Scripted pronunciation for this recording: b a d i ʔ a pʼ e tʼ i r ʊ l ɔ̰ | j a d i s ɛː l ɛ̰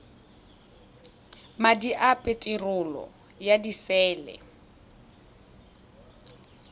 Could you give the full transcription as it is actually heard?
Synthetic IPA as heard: m a d i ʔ a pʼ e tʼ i r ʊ l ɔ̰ | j a d i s ɛː l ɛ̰